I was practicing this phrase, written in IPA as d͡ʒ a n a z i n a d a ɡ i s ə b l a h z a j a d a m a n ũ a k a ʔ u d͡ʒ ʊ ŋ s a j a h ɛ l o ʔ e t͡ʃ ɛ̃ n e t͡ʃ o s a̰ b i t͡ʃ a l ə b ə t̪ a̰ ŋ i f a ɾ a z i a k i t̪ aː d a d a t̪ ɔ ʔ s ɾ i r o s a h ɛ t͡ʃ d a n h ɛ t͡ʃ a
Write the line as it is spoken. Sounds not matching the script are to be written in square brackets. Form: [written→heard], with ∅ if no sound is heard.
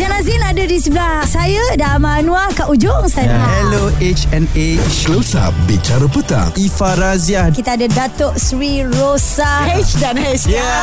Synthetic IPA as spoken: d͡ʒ a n a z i n a d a [ɡ→d] i s ə b l a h [z→s] a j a d a m a n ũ a k a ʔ u d͡ʒ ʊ ŋ s a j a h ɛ l o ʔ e t͡ʃ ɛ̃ n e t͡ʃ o s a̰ b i t͡ʃ a [l→ɾ] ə [b→p] ə t̪ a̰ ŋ i f a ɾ a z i a k i t̪ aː d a d a t̪ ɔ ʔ s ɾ i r o s a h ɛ t͡ʃ d a n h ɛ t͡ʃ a